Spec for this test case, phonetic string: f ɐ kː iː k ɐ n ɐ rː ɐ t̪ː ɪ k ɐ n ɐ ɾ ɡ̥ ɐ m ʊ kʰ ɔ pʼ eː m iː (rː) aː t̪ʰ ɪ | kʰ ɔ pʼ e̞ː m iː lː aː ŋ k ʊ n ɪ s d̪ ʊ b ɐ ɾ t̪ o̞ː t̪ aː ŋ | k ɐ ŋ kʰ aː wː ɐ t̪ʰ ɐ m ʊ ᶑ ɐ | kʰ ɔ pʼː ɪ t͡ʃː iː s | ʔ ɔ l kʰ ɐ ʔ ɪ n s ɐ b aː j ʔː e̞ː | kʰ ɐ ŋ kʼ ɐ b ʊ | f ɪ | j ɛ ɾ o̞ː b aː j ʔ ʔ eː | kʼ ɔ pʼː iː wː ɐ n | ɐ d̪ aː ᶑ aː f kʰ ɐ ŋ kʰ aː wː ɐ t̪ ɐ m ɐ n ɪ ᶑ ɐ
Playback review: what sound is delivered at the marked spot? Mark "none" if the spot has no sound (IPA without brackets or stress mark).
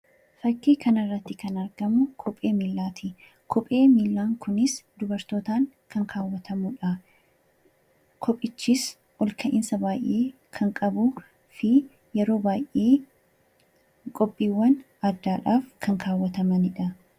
lː